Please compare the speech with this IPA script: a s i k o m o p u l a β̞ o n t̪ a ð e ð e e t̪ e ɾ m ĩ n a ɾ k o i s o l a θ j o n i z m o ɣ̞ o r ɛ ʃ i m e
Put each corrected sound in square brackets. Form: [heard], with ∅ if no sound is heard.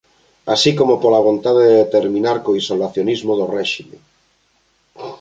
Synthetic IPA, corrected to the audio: a s i k o m o p [o] l a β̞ o n t̪ a ð e ð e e t̪ e ɾ m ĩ n a ɾ k o i s o l a θ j o n i z m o [ð̞] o r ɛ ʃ i m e